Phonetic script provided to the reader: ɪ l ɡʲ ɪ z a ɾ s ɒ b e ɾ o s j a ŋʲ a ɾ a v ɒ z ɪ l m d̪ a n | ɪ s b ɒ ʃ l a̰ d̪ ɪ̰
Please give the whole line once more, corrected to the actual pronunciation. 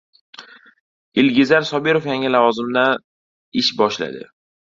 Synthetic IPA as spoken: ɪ l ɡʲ ɪ z a ɾ s ɒ b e ɾ o f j a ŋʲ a l a v ɒ z ɪ m d̪ a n | ɪ ʃ b ɒ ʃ l a̰ d̪ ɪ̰